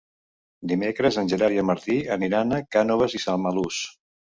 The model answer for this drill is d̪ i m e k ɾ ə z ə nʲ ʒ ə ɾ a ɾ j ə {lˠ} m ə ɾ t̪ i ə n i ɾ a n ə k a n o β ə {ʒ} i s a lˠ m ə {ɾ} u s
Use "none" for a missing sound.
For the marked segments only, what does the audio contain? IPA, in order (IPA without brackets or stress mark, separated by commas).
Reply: none, z, l